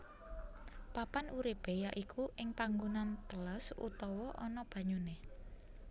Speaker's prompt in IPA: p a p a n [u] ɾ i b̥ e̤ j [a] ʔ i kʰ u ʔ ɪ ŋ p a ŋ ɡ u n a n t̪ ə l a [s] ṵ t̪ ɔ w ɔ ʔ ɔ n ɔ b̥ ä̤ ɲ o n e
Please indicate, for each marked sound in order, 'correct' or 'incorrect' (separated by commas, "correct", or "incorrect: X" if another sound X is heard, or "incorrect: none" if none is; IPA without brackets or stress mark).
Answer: correct, correct, correct